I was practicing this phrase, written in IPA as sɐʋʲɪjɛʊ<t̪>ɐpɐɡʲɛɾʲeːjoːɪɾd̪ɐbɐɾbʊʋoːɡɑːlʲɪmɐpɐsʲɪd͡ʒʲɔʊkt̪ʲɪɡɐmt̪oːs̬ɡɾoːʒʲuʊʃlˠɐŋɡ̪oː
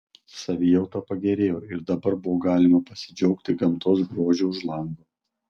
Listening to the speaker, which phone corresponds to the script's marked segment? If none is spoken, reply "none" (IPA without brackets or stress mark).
t̪